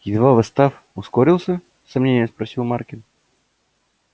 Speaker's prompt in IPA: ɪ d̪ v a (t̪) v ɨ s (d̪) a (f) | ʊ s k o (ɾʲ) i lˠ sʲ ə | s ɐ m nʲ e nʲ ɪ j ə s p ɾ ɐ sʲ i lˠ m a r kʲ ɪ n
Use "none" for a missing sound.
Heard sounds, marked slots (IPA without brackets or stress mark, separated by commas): none, t̪, f, ɾʲ